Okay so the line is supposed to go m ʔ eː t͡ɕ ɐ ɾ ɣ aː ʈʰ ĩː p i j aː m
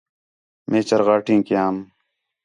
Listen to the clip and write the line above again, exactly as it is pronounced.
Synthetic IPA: m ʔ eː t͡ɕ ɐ ɾ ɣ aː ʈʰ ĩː k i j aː m